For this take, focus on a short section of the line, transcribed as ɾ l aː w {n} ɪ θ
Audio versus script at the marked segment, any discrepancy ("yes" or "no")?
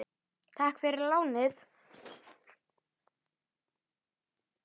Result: no